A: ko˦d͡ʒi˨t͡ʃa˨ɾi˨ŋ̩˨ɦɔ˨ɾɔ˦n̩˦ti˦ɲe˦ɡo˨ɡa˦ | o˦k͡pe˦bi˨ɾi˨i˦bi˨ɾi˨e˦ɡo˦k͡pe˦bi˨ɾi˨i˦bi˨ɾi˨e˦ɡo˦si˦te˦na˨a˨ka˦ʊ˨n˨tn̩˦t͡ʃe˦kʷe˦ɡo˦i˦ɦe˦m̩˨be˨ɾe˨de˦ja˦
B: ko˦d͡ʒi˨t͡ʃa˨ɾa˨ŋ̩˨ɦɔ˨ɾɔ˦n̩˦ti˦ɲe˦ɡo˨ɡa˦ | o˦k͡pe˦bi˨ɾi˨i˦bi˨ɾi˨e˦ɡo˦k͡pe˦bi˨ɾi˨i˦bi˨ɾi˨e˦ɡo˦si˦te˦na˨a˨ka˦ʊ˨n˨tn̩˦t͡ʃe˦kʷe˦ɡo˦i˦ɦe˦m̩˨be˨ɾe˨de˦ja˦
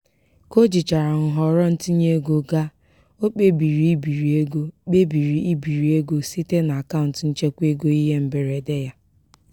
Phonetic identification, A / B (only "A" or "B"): B